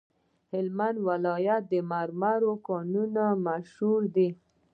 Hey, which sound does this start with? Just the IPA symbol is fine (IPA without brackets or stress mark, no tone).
h